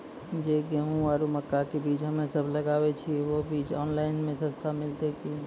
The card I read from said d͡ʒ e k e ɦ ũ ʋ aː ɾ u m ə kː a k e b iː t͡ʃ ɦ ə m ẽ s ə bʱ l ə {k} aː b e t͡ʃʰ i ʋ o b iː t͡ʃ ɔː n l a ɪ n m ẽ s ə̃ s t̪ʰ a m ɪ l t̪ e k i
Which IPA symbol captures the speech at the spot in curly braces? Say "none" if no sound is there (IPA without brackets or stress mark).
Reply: ɡ